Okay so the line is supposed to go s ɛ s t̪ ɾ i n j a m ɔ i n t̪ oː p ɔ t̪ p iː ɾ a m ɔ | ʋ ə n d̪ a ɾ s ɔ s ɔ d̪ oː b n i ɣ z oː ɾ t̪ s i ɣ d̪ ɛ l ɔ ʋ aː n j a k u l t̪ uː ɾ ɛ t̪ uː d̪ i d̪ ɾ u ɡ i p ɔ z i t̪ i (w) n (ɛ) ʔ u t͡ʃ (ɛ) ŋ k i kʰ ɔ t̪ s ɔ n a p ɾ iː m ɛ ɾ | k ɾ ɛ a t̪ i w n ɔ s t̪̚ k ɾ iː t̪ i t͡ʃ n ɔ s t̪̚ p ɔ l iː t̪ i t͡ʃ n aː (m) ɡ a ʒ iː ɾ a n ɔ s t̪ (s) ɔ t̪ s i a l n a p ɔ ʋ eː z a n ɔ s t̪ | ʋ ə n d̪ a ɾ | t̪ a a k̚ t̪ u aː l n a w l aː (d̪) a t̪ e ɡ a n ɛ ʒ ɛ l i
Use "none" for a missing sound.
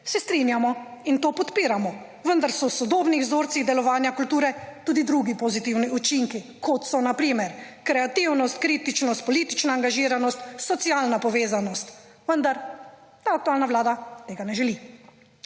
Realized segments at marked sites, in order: w, i, i, ŋ, s, d̪

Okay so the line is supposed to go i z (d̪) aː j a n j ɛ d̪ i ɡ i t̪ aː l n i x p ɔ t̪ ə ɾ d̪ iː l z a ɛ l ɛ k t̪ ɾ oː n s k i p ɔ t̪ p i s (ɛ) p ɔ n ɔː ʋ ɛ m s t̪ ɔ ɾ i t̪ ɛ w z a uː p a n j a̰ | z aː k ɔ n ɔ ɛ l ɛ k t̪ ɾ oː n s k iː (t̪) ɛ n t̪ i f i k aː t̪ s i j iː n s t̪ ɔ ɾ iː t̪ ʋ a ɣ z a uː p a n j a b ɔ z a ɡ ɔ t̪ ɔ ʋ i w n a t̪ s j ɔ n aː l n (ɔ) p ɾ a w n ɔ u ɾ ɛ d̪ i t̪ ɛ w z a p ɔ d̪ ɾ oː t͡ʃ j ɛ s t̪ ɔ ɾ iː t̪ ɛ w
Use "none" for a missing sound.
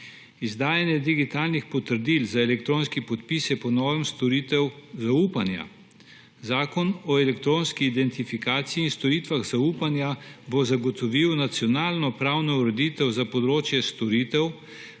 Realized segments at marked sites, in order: d̪, ɛ, d̪, ɔ

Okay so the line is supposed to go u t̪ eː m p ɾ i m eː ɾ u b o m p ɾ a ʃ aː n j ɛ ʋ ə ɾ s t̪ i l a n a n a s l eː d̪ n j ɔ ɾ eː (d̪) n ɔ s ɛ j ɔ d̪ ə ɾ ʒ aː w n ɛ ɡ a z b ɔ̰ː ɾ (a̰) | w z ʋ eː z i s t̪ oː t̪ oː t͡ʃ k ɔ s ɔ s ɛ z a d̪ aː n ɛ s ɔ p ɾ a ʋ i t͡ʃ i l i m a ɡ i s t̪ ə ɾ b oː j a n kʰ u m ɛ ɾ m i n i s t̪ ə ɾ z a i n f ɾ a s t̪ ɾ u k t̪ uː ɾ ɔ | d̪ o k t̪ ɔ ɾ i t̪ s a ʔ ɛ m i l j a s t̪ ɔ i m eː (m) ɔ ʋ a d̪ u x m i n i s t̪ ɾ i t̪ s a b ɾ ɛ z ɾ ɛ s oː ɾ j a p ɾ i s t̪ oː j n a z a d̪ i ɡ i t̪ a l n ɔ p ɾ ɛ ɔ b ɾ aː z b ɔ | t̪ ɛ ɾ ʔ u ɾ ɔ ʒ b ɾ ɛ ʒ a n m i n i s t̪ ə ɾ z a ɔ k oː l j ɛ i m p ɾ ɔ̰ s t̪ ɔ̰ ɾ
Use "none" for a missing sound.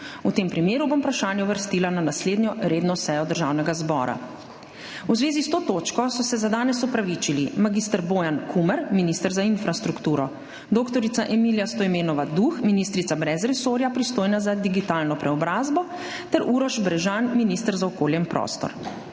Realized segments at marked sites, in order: d̪, a̰, n

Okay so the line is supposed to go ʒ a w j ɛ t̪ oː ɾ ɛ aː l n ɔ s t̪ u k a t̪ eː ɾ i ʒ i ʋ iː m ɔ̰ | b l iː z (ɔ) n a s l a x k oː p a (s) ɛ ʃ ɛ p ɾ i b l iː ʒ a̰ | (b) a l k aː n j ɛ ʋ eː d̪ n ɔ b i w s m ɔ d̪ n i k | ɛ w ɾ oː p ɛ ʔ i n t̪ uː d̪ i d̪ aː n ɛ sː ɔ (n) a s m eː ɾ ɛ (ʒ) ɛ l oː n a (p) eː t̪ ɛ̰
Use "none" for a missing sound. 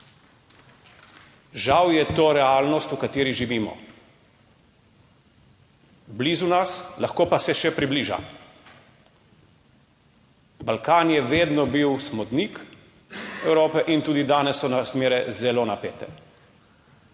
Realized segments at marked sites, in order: u, s, b, n, z, p

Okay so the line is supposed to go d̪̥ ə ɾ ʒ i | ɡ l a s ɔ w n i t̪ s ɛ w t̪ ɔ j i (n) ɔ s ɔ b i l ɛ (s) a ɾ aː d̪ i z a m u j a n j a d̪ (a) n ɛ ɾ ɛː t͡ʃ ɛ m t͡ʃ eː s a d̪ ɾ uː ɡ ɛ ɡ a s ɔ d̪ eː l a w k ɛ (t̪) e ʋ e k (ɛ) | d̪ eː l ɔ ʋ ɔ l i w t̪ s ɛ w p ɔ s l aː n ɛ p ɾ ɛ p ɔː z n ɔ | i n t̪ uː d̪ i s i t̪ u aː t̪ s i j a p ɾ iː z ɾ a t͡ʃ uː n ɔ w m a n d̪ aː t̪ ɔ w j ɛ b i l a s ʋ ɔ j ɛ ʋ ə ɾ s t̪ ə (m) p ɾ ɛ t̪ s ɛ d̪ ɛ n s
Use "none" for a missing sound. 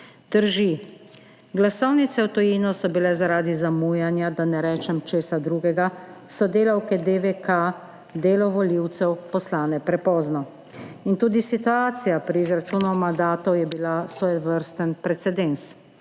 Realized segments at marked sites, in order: n, z, a, d̪, a, n

